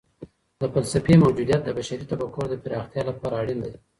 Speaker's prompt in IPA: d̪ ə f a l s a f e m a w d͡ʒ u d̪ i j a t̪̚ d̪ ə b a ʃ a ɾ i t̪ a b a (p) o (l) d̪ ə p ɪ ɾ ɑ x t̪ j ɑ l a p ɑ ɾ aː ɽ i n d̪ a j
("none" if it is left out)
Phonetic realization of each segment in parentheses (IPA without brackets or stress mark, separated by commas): k, ɾ